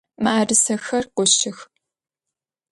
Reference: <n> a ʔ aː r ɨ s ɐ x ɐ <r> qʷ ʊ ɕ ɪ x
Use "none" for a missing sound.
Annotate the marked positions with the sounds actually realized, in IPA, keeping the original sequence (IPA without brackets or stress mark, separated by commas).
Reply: m, r